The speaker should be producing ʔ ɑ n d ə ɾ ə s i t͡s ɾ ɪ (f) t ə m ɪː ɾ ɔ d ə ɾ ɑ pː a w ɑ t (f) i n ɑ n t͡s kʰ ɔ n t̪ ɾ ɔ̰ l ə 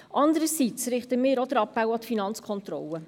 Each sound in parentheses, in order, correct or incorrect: incorrect, correct

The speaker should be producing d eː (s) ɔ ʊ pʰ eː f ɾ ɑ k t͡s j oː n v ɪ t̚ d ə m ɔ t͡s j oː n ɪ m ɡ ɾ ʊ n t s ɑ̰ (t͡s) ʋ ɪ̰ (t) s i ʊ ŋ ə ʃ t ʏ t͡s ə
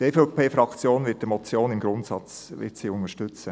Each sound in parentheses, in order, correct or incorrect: incorrect, correct, correct

